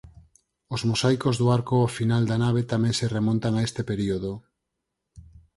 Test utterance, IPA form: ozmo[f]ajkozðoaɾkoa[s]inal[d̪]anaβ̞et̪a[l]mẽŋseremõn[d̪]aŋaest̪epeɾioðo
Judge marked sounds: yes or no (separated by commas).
no, no, yes, no, no